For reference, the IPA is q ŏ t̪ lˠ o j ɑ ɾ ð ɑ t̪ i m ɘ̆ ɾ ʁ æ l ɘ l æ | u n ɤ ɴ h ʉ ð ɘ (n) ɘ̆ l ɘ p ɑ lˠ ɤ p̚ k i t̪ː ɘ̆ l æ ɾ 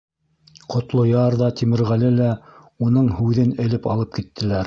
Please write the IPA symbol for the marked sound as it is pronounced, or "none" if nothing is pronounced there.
n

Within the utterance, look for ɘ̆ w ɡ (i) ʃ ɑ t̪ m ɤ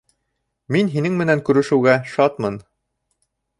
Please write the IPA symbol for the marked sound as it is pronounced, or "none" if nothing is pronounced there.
æ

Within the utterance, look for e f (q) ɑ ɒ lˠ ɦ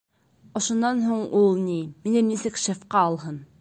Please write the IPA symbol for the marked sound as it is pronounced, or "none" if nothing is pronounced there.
q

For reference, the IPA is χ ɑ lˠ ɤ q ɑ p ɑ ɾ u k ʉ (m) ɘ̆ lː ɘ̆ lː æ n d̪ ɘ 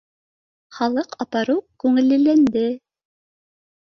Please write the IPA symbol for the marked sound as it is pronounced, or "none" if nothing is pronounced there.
ŋ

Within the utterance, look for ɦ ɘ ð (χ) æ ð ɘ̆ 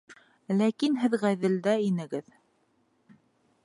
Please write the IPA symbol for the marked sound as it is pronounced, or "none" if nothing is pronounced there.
ʁ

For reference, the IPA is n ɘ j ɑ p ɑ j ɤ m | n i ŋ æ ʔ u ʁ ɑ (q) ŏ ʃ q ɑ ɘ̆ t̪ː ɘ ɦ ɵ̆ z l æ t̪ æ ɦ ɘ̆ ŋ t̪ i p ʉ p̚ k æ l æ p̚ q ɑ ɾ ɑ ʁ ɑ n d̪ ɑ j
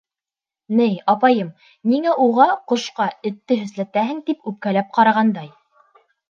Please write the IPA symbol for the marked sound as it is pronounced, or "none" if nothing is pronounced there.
q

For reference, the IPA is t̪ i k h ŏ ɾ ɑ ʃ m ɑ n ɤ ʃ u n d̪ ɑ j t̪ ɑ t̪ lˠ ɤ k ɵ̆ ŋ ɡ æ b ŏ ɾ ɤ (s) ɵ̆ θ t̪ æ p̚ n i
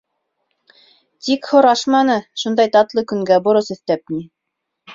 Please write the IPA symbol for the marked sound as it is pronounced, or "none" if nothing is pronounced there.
s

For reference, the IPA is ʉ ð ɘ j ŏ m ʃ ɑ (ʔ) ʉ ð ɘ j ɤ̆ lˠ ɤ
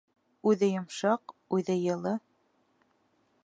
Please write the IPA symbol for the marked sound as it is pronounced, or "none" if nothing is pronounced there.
q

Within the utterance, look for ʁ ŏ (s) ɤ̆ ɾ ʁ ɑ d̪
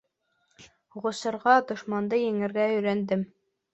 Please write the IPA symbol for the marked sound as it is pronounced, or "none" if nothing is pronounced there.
s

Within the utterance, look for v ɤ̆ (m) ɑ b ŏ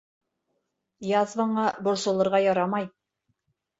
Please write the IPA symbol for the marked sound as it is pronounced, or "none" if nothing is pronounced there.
ɴ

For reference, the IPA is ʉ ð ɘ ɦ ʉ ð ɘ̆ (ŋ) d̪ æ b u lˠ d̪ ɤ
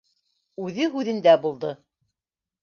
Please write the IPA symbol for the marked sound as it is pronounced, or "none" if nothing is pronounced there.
n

